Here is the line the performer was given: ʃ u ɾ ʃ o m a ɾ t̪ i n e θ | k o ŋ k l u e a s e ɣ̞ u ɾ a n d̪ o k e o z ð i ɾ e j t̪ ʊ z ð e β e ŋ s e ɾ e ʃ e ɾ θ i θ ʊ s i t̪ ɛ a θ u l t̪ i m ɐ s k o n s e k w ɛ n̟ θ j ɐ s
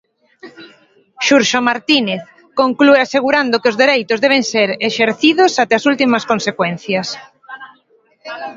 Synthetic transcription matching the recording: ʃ u ɾ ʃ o m a ɾ t̪ i n e θ | k o ŋ k l u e a s e ɣ̞ u ɾ a n d̪ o k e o z ð e ɾ e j t̪ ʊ z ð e β e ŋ s e ɾ e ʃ e ɾ θ i ð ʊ s a t̪ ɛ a s u l t̪ i m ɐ s k o n s e k w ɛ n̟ θ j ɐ s